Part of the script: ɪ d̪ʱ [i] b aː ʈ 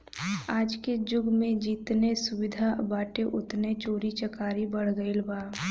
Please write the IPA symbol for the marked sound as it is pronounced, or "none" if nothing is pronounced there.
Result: a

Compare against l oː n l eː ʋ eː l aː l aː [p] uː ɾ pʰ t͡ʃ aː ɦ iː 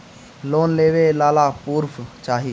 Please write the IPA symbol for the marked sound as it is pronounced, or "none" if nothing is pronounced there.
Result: p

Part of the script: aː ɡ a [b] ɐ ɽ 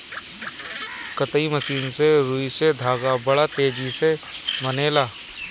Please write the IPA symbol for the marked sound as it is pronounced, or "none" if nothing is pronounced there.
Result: b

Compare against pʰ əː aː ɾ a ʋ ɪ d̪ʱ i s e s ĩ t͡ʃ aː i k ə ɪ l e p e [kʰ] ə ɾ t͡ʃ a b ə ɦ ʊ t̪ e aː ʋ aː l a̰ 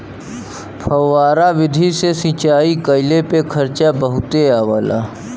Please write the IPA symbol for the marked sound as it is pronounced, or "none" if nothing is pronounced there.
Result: kʰ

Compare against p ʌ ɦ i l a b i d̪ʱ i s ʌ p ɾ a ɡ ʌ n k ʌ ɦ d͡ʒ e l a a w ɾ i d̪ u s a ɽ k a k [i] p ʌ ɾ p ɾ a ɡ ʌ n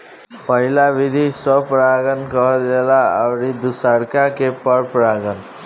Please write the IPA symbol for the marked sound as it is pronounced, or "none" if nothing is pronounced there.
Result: e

